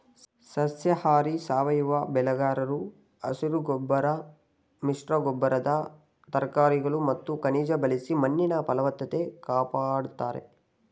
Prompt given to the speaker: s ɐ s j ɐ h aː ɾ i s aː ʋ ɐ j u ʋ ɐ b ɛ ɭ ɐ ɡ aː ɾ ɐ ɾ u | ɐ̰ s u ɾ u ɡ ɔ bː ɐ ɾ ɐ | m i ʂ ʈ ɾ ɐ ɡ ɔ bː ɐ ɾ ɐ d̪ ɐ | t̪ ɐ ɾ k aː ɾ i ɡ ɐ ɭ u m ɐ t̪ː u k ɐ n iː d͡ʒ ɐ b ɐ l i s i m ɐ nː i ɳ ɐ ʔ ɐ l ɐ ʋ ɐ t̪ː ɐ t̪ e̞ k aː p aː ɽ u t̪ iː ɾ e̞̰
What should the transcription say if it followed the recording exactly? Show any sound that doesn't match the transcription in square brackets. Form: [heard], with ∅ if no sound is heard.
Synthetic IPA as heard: s ɐ s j ɐ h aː ɾ i s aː ʋ ɐ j u ʋ ɐ b ɛ [l] ɐ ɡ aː ɾ ɐ ɾ u | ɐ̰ s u ɾ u ɡ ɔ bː ɐ ɾ ɐ | m i ʂ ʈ ɾ ɐ ɡ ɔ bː ɐ ɾ ɐ d̪ ɐ | t̪ ɐ ɾ k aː ɾ i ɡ ɐ ɭ u m ɐ t̪ː u k ɐ n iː d͡ʒ ɐ b ɐ l i s i m ɐ nː i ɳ ɐ [p] ɐ l ɐ ʋ ɐ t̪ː ɐ t̪ e̞ k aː p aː ɽ u t̪ [aː] ɾ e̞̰